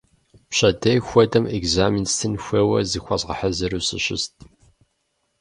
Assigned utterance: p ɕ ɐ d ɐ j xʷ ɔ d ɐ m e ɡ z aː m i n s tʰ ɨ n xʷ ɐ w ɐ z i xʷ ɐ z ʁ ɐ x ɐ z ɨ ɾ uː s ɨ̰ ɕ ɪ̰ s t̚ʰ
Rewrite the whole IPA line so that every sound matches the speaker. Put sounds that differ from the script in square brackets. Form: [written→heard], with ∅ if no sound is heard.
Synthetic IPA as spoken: p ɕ ɐ d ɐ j xʷ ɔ d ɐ m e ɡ z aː m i n s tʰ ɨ n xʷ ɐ w ɐ z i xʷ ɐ z ʁ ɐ [x→ħ] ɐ z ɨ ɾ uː s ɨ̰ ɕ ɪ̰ s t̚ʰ

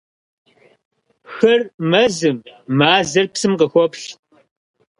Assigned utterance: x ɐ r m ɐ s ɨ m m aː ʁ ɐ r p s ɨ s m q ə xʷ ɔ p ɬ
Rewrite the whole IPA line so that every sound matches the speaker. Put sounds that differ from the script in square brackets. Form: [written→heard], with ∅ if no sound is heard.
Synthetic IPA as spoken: x ɐ r m ɐ [s→z] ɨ m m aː [ʁ→z] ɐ r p s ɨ [s→∅] m q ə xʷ ɔ p ɬ

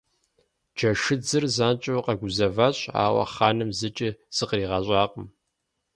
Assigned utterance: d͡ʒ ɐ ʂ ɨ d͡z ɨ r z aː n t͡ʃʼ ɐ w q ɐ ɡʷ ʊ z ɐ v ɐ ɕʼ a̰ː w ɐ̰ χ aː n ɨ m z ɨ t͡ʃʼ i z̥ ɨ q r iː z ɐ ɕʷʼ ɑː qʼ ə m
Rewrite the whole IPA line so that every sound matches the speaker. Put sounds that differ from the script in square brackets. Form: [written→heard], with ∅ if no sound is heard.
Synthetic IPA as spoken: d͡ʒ ɐ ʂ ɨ d͡z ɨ r z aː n t͡ʃʼ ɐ w q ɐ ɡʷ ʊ z ɐ v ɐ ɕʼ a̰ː w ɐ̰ χ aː n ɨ m z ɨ t͡ʃʼ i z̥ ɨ q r iː [z→ʁ] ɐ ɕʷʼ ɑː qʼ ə m

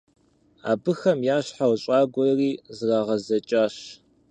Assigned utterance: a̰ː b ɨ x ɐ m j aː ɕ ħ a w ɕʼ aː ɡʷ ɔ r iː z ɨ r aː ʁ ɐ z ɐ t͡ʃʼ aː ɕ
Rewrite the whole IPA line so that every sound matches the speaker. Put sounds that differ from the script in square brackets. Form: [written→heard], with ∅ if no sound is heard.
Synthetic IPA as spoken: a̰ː b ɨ x ɐ m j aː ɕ ħ a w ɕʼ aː ɡʷ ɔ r iː z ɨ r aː ʁ ɐ z ɐ t͡ʃʼ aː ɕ

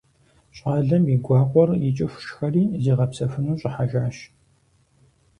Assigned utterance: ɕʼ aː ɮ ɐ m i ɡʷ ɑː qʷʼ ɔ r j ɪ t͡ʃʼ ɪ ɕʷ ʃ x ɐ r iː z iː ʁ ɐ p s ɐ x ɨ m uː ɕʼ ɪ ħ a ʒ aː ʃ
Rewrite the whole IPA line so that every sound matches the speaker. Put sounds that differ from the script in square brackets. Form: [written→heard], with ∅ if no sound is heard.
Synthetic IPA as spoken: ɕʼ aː ɮ ɐ m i ɡʷ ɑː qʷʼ ɔ r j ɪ t͡ʃʼ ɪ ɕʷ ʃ x ɐ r iː z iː ʁ ɐ p s ɐ [x→f] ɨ [m→n] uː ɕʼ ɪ ħ a ʒ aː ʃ

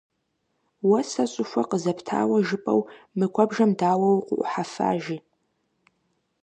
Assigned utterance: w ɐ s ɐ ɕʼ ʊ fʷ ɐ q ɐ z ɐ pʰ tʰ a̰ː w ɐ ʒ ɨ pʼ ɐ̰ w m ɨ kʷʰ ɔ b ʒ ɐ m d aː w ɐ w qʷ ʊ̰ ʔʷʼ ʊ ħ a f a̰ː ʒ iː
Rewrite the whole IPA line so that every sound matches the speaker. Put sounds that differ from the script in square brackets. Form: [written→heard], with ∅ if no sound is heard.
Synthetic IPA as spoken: w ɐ s ɐ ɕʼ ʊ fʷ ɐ q [ɐ→ə] z ɐ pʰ tʰ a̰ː w ɐ ʒ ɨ pʼ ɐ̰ w m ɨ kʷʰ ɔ b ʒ ɐ m d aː w ɐ w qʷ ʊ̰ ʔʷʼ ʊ ħ a f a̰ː ʒ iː

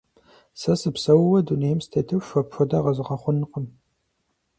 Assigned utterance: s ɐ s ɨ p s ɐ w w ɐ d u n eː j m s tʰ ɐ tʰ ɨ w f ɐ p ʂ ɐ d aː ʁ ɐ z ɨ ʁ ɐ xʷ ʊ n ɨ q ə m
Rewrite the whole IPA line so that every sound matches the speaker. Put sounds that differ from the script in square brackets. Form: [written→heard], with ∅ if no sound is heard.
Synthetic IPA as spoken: s ɐ s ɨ p s ɐ w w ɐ d u n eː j m s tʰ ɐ tʰ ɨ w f ɐ p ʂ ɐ d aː ʁ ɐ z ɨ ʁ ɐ [xʷ→χʷ] ʊ n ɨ q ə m

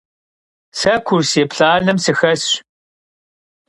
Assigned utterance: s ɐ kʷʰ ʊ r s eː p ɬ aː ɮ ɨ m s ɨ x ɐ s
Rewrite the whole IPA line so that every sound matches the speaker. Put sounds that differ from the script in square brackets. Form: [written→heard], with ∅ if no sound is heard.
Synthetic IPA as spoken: s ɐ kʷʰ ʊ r s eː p ɬ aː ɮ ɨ m s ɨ x ɐ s

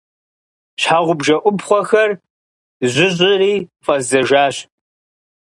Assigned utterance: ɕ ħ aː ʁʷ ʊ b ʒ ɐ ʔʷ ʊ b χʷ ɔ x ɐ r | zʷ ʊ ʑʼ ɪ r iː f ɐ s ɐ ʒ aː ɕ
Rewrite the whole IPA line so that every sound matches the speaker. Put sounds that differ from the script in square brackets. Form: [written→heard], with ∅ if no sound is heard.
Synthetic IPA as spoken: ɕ ħ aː ʁʷ ʊ b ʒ ɐ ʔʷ ʊ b χʷ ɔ x ɐ r | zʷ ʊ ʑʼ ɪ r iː f ɐ [s→z] ɐ ʒ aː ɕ

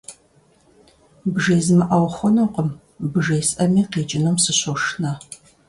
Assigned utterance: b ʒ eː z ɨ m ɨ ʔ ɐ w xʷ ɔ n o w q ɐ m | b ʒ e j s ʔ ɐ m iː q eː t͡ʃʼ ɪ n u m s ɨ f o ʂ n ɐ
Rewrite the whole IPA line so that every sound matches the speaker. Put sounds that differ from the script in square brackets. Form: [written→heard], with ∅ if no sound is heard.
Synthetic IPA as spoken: b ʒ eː z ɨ m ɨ ʔ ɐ w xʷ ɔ n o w q [ɐ→ə] m | b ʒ e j s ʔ ɐ m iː q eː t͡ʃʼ ɪ n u m s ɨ [f→ɕ] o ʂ n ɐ

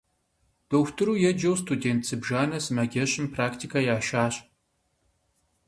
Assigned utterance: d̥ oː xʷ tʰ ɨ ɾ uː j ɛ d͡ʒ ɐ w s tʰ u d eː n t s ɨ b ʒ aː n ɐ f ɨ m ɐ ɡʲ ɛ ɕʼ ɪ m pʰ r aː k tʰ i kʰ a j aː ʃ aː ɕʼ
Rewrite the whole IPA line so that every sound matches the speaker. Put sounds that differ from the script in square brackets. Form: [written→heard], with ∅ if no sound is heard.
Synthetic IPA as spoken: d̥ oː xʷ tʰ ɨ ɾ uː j ɛ d͡ʒ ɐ w s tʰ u d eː n t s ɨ b ʒ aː n ɐ [f→s] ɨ m ɐ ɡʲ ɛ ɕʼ ɪ m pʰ r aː k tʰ i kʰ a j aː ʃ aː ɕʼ

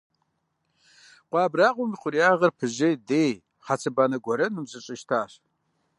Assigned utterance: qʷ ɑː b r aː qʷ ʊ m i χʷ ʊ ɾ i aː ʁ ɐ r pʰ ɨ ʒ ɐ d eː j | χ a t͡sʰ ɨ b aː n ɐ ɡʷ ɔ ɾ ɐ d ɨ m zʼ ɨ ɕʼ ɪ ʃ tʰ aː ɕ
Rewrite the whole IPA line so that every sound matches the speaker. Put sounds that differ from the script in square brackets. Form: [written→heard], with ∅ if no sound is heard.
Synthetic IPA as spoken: qʷ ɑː b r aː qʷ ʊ m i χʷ ʊ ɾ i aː ʁ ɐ r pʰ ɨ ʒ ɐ d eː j | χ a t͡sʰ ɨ b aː n ɐ ɡʷ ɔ ɾ ɐ [d→n] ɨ m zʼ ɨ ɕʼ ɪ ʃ tʰ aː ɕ

